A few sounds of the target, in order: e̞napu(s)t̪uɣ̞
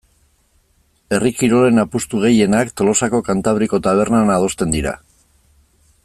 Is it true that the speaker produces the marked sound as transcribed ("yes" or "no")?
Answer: yes